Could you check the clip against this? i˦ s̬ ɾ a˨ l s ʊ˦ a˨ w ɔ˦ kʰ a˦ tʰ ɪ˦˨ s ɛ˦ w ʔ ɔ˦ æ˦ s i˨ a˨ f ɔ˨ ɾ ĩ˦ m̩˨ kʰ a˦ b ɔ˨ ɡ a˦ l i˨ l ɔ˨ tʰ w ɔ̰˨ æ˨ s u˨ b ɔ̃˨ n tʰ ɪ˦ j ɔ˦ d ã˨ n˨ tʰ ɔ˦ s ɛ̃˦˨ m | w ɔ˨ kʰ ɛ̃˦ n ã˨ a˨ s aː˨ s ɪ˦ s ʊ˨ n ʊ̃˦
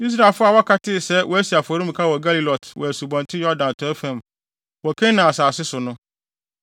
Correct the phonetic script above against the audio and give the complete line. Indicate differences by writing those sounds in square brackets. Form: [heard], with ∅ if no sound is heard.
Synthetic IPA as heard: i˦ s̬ ɾ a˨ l [f] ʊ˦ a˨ w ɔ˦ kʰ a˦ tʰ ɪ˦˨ s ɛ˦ w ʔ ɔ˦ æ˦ s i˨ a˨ f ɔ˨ ɾ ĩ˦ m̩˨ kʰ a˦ [w] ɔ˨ ɡ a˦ l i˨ l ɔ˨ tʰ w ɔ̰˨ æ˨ s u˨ b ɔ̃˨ n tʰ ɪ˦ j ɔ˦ d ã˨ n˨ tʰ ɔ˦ [f] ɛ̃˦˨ m | w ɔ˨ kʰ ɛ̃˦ n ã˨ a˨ s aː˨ s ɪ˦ s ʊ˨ n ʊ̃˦